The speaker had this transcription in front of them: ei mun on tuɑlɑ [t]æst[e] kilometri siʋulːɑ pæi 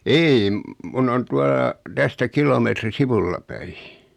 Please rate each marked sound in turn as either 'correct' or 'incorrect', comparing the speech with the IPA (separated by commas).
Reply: correct, incorrect